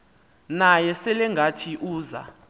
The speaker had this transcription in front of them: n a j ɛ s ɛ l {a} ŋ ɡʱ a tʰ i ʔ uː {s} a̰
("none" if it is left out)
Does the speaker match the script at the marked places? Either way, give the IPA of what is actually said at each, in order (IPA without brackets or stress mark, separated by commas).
ɛ, z